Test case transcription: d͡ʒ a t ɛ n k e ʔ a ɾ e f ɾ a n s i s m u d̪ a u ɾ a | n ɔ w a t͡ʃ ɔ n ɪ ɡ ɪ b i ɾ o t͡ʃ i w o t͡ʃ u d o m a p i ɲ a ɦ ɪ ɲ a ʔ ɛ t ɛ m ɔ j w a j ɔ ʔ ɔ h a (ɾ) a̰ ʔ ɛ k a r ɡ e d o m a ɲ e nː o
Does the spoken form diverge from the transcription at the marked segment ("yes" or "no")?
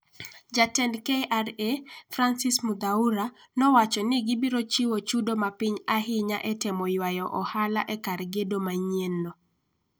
yes